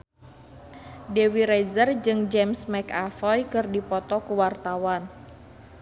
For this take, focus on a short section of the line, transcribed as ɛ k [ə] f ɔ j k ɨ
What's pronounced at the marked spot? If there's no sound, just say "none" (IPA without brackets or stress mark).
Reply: a